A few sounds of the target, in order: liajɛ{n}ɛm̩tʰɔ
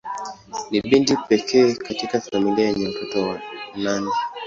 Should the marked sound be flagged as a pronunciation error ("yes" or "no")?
yes